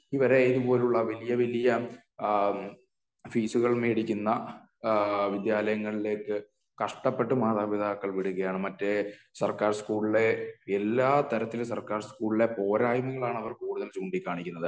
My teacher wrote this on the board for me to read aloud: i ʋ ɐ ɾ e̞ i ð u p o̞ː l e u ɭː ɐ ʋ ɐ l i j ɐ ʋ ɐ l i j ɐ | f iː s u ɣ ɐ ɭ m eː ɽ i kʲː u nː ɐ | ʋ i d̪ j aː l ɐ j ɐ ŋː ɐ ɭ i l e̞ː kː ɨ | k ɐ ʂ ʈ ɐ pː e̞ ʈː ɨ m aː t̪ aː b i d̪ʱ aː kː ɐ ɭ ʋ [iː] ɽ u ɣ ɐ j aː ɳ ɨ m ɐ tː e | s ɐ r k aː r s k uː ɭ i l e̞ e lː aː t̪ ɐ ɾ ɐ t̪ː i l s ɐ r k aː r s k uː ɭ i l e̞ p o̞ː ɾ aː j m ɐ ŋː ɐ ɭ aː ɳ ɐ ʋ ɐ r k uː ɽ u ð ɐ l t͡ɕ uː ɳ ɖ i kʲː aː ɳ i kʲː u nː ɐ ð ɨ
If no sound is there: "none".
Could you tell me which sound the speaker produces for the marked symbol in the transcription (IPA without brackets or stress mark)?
i